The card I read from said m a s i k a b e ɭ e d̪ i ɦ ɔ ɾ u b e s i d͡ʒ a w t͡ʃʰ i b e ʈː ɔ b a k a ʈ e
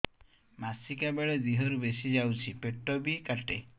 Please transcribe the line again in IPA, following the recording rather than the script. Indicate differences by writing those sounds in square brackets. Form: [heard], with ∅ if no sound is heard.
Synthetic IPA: m a s i k a b e ɭ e d̪ i ɦ ɔ ɾ u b e s i d͡ʒ a w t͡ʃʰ i [p] e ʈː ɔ b [i] k a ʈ e